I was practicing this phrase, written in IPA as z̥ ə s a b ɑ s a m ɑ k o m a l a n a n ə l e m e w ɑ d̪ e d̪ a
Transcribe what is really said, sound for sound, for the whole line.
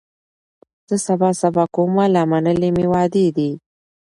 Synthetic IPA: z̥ ə s a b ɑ s a b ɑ k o m a l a m a n ə l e m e w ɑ d̪ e d̪ i